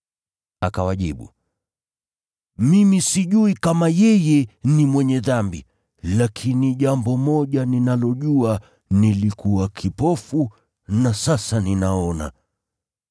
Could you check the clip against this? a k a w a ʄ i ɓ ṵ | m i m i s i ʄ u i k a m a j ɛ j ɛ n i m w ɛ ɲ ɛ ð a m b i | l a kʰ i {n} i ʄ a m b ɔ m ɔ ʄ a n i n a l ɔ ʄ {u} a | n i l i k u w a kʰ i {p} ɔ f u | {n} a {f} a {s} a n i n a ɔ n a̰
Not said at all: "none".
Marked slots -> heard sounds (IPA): n, u, p, n, s, s

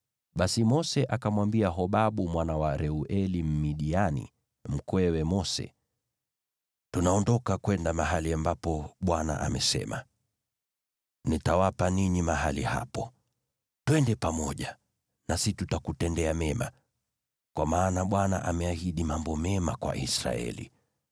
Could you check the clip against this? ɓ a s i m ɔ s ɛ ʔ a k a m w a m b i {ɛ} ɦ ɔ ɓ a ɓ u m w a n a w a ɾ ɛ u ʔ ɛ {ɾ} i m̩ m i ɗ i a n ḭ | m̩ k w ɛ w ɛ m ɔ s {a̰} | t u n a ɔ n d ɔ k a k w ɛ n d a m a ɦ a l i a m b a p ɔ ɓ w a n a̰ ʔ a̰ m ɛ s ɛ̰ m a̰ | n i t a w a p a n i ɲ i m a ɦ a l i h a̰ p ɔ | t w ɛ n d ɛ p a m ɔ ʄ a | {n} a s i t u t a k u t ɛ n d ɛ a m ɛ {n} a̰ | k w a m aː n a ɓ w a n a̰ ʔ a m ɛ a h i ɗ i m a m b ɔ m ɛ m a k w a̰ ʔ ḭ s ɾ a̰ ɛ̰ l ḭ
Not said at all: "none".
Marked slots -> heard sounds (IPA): a, l, ɛ̰, n, m

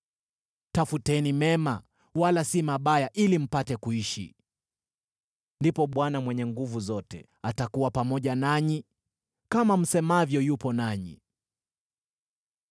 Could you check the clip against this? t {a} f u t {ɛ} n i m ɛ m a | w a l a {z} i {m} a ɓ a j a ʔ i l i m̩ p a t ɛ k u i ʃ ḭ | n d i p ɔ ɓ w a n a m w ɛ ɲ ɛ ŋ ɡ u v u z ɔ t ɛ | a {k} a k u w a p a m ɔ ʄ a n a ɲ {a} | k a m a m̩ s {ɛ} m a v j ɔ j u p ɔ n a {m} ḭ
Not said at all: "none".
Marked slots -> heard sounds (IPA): a, ɛ, s, m, t, i, ɛ, ɲ

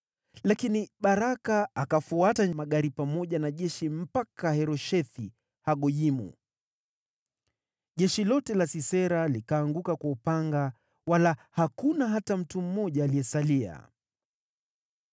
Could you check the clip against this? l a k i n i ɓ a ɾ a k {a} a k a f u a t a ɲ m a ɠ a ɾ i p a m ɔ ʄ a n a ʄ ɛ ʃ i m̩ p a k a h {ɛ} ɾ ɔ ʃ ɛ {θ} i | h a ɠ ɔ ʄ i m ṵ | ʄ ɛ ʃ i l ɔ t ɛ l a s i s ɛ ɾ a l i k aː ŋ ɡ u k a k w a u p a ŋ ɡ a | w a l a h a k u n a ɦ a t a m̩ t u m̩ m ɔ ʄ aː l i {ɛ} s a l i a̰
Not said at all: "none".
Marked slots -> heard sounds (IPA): a, ɛ, θ, ɛ

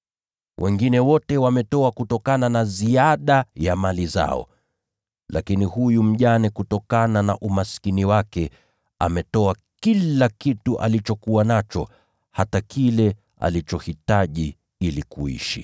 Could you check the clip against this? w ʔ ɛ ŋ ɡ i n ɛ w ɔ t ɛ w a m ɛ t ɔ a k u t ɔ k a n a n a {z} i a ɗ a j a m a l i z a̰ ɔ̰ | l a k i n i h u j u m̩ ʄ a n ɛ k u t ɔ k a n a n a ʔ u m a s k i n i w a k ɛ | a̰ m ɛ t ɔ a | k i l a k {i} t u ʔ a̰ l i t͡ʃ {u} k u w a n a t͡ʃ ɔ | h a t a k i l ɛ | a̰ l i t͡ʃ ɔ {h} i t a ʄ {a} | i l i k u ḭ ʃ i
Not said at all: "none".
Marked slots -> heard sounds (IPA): z, i, ɔ, h, i

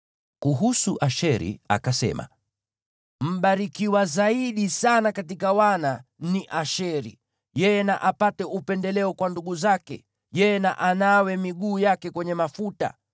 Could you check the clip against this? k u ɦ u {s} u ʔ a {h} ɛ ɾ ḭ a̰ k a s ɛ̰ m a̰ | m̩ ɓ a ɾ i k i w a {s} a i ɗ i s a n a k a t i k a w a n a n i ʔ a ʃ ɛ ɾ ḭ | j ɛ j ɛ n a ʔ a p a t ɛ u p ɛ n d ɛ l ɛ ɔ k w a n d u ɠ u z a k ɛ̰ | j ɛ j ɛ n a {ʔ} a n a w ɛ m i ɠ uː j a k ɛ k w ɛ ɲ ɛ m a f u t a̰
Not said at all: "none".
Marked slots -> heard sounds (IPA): s, ʃ, z, ʔ

